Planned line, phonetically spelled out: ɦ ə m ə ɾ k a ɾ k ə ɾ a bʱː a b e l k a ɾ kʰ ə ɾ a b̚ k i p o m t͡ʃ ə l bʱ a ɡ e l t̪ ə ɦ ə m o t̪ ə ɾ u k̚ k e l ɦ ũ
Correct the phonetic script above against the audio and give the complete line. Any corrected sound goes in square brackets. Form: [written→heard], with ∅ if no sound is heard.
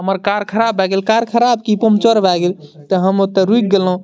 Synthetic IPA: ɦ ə m ə ɾ k a ɾ [k→kʰ] ə ɾ a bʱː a [b→ɡ] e l k a ɾ kʰ ə ɾ a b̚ k i p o m t͡ʃ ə [l→ɾ] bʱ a ɡ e l t̪ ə ɦ ə m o t̪ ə ɾ u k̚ [k→ɡ] e l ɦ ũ